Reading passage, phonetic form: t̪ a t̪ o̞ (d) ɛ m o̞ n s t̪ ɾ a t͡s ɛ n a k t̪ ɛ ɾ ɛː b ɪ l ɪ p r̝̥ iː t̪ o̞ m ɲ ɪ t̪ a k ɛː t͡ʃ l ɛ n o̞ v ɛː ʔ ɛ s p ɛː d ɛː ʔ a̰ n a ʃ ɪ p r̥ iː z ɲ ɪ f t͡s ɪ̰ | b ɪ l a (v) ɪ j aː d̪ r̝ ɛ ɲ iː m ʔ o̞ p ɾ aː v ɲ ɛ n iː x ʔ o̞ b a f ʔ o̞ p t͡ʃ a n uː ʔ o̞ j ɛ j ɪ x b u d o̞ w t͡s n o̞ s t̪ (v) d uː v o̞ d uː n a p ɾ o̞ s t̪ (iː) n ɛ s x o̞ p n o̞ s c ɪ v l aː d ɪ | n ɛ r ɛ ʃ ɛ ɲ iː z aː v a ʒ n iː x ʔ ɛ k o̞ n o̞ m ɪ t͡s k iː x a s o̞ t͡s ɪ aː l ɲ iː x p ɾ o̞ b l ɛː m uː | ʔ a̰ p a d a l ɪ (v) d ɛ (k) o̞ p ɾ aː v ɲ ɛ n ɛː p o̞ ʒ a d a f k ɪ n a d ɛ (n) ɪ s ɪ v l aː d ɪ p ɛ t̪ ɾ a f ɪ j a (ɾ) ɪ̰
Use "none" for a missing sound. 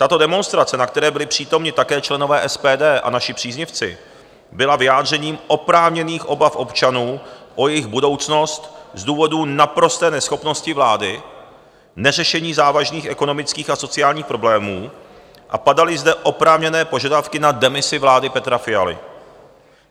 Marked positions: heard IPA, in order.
d, v, z, ɛː, z, ʔ, m, l

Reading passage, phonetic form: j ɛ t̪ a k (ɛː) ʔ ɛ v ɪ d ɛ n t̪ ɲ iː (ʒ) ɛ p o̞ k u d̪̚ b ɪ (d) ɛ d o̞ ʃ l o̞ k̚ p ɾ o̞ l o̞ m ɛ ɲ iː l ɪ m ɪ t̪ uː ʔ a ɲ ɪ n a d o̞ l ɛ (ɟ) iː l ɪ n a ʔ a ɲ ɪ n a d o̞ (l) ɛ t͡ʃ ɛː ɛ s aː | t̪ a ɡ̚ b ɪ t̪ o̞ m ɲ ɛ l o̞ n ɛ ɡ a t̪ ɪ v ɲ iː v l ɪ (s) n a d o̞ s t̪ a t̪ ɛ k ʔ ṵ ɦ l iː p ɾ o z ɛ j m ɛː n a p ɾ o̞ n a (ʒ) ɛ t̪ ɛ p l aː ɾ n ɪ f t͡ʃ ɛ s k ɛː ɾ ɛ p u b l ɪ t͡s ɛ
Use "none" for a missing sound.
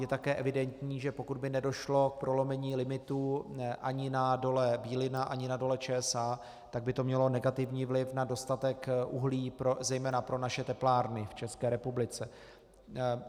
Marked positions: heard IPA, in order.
ɛː, ʒ, n, b, l, f, ʃ

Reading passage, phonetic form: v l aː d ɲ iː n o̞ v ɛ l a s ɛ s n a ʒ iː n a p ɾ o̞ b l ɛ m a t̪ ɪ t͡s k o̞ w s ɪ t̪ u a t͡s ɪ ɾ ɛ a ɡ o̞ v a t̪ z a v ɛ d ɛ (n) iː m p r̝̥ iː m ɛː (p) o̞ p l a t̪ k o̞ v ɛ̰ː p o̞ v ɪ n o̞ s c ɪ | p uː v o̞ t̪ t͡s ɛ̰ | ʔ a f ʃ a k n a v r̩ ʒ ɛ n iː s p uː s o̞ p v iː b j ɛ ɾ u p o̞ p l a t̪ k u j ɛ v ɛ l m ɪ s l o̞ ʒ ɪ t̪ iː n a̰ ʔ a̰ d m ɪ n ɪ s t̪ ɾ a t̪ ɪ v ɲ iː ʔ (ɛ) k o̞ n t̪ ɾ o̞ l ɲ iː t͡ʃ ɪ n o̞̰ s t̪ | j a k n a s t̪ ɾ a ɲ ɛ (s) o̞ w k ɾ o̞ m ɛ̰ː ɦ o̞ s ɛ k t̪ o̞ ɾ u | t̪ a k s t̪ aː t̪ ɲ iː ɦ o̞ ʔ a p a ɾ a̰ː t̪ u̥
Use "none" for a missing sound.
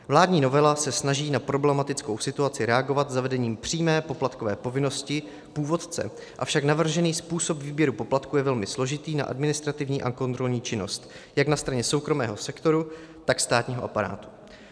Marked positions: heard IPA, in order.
ɲ, p, a, s

